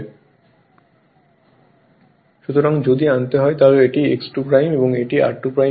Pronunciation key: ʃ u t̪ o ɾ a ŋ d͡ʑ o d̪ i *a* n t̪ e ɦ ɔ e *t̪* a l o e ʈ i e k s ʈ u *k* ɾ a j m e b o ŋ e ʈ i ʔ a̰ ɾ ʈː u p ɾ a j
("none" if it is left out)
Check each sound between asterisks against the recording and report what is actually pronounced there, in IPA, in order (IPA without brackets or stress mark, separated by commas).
a, t̪, p